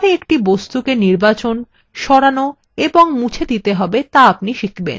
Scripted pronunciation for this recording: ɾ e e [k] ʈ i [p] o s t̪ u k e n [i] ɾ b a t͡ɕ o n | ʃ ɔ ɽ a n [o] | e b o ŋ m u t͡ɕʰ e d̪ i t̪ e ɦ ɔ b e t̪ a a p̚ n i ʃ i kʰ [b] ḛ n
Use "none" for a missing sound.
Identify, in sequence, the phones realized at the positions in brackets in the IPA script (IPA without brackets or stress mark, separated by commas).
k, b, i, o, b